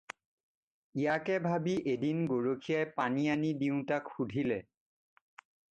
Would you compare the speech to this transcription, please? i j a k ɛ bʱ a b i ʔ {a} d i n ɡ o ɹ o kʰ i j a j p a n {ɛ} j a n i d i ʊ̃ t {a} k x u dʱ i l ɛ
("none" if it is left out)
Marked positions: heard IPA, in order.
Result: e, i, a

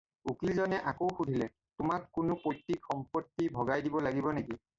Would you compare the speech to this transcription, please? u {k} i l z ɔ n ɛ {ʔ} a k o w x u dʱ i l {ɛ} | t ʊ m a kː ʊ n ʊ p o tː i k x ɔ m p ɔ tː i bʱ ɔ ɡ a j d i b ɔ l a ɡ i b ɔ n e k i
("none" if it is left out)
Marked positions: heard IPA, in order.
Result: k, ʔ, ɛ

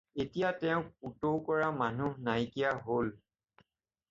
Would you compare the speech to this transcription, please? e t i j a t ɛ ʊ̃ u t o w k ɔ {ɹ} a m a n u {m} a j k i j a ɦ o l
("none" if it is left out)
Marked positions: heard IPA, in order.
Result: ɹ, n

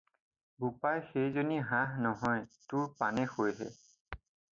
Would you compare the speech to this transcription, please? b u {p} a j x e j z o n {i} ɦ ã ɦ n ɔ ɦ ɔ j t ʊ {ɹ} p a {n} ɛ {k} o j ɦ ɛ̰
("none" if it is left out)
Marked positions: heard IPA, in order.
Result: p, i, ɹ, n, x

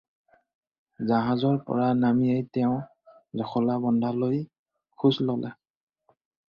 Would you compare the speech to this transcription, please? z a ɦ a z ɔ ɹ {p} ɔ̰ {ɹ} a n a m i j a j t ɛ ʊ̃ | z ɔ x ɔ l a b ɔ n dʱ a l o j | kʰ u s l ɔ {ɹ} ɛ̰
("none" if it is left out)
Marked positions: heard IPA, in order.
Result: p, ɹ, l

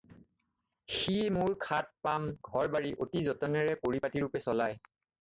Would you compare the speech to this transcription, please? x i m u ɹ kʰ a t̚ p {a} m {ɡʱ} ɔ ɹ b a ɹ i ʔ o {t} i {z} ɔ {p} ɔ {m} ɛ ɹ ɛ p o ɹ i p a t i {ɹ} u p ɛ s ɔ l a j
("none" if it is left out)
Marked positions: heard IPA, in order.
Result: a, ɡʱ, t, z, t, n, ɹ

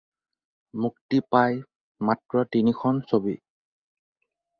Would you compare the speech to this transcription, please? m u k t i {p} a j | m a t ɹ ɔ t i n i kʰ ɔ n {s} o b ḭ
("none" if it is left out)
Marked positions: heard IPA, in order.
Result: p, s

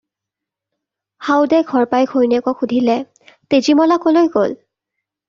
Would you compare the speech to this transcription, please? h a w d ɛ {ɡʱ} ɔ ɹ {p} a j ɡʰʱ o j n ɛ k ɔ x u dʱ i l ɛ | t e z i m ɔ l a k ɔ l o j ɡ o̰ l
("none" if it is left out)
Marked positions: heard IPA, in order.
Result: ɡʱ, p

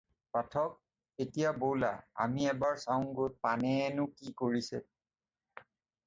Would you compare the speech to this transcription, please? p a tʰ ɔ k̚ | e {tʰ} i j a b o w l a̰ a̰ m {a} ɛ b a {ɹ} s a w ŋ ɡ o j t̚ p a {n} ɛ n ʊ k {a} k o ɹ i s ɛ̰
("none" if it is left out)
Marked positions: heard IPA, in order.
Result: t, i, ɹ, n, i

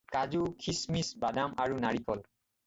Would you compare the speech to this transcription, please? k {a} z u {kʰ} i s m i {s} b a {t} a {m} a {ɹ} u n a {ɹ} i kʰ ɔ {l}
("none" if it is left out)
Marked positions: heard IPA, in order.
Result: a, kʰ, s, d, m, ɹ, ɹ, l

